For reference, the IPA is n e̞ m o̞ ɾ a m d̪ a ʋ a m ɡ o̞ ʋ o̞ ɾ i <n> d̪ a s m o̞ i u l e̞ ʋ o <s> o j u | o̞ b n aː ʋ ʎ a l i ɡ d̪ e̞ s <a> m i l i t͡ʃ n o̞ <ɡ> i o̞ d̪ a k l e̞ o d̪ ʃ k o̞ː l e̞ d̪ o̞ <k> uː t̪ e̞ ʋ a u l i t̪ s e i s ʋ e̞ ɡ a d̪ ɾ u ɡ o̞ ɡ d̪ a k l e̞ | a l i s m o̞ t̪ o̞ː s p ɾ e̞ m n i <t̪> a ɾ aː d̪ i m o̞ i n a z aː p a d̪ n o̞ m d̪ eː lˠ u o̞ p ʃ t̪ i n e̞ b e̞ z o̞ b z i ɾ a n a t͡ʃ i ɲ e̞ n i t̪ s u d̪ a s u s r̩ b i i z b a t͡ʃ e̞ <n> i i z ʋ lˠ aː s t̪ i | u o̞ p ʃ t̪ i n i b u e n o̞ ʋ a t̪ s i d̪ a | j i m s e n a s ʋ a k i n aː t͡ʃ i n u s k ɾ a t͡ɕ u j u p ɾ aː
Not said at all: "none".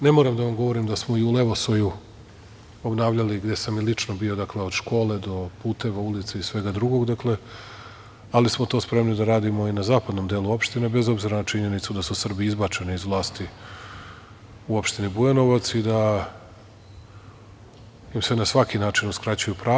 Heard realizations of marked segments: m, s, a, b, p, d̪, n

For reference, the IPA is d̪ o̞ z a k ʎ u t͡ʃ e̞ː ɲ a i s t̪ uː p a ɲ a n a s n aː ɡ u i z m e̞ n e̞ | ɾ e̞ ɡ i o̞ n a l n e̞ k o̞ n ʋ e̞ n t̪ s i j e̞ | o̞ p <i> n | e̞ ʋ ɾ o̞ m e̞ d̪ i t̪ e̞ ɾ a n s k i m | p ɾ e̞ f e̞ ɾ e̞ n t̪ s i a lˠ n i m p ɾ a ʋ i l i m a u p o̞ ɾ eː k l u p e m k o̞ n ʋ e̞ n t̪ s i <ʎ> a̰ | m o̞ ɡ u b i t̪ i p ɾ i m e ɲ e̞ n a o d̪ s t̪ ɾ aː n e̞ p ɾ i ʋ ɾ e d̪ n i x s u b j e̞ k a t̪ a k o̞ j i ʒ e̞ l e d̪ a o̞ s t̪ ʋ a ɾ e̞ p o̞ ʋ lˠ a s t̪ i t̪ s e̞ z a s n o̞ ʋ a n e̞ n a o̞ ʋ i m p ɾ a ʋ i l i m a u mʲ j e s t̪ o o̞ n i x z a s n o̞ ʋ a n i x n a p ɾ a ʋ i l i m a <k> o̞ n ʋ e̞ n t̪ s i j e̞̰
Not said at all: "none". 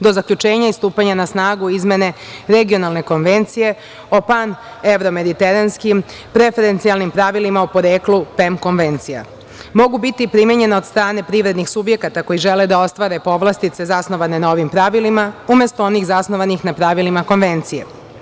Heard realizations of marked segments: a, j, k

